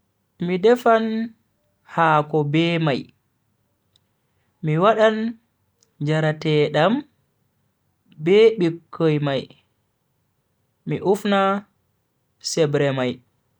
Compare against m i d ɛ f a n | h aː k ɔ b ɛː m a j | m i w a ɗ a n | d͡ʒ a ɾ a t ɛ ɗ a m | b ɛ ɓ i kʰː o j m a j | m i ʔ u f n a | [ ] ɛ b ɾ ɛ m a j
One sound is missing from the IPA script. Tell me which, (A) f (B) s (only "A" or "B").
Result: B